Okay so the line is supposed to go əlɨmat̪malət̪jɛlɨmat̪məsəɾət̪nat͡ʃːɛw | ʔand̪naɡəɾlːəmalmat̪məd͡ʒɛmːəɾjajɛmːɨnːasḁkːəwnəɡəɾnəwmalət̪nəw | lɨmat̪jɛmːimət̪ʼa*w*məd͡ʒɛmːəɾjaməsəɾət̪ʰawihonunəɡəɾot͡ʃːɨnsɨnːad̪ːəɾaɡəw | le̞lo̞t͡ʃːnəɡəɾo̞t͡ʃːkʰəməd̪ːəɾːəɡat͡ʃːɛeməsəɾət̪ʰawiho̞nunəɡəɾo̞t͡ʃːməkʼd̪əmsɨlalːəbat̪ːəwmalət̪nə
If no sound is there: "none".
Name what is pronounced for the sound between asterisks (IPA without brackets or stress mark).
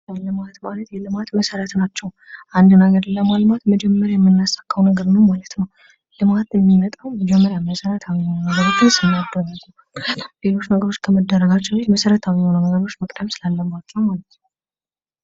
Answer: w